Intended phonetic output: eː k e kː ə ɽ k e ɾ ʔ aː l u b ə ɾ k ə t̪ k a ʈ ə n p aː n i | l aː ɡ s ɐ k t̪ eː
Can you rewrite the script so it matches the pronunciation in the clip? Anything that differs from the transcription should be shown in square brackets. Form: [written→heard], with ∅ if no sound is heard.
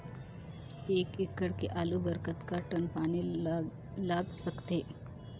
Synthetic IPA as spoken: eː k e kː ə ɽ k e [ɾ→∅] ʔ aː l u b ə ɾ k ə t̪ k a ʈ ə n p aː n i | l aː ɡ s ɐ k t̪ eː